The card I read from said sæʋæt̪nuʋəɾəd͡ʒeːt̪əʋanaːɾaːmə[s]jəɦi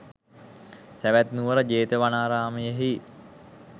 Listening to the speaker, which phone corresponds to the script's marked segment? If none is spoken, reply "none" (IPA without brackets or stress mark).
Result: none